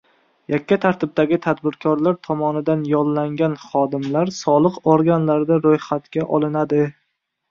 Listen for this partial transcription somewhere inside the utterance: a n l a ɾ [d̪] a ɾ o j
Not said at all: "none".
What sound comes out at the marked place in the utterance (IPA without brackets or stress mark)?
d̪